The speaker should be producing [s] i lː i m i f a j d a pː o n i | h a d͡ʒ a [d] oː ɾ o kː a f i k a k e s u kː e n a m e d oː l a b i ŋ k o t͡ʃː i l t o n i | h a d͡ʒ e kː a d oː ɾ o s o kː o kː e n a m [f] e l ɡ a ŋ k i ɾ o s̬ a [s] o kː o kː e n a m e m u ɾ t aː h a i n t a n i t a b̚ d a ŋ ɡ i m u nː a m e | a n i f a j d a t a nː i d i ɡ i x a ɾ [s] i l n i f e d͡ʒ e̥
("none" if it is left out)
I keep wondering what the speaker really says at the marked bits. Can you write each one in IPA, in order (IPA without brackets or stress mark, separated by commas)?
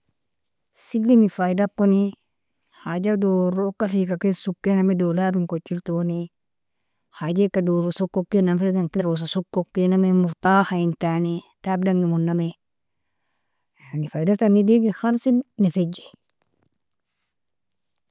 s, d, f, s, s